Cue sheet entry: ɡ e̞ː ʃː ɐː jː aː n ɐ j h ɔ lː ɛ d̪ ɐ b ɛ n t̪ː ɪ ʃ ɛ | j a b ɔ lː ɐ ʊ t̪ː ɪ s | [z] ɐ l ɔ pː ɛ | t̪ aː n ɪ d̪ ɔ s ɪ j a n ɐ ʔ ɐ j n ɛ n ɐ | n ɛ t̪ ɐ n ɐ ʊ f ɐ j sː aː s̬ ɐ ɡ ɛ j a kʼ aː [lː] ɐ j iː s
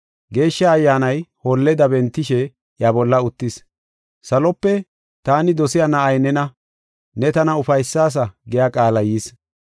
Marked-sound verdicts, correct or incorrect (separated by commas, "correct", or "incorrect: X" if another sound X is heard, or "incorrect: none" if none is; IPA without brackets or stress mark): incorrect: s, incorrect: l